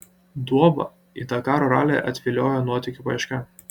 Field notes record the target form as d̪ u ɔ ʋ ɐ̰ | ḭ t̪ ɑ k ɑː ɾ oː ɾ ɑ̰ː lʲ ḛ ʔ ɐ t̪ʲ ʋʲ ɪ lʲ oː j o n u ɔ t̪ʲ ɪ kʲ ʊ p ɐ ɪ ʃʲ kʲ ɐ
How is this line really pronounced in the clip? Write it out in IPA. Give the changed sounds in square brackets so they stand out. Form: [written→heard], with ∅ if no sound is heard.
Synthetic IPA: d̪ u ɔ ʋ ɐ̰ | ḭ t̪ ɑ k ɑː ɾ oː ɾ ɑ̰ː lʲ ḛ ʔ ɐ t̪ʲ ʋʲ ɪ lʲ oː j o n u ɔ t̪ʲ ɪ kʲ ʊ p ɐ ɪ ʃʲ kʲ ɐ